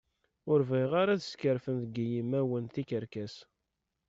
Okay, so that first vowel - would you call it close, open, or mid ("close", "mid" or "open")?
close